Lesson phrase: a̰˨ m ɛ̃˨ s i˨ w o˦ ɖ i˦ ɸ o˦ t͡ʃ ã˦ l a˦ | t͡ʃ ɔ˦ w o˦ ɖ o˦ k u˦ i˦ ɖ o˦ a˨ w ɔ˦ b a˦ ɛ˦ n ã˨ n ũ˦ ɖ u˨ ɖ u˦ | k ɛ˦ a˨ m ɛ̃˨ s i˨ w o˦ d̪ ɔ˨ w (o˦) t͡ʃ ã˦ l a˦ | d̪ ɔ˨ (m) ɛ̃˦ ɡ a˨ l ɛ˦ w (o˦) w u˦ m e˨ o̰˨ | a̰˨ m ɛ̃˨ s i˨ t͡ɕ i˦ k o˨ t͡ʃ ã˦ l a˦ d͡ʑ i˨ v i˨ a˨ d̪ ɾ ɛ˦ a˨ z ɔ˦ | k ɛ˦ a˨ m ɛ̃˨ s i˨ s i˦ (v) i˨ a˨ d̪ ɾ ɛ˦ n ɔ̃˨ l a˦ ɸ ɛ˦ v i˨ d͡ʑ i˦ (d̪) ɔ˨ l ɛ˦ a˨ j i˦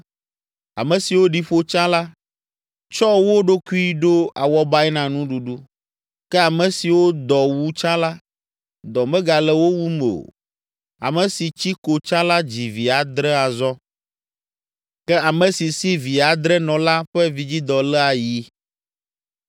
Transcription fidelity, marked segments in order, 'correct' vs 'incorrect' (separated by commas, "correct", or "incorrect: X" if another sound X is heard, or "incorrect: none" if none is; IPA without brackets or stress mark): incorrect: u˦, correct, correct, correct, correct